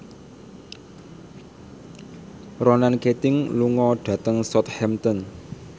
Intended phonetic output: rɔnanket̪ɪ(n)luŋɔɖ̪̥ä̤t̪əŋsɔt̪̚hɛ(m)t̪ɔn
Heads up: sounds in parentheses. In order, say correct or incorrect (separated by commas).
incorrect, correct